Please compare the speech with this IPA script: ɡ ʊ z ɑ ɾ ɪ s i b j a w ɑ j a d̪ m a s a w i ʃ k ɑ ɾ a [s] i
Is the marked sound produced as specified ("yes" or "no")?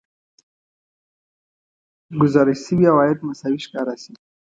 yes